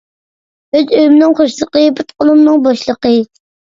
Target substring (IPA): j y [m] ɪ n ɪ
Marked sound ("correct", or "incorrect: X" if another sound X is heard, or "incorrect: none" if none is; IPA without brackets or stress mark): correct